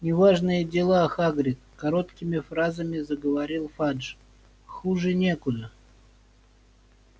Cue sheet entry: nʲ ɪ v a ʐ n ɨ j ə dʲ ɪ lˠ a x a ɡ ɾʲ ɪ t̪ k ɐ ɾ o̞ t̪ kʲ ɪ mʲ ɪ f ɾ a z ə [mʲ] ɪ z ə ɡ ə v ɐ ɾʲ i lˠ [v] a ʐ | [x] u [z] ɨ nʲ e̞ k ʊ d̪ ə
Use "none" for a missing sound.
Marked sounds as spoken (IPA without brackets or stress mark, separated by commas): mʲ, f, x, ʐ